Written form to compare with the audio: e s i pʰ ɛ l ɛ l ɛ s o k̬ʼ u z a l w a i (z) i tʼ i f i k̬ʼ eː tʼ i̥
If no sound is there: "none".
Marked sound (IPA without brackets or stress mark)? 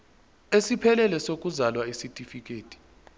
s